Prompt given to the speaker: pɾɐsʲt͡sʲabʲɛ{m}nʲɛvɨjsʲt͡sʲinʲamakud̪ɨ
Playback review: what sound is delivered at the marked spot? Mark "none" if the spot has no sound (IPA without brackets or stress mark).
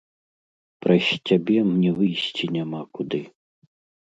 m